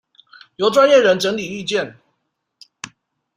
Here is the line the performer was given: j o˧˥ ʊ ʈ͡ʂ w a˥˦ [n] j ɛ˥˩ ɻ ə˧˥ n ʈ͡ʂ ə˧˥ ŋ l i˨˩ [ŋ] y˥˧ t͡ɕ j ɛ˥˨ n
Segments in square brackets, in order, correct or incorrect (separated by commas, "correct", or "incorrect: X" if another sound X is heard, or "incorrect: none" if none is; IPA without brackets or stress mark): correct, incorrect: none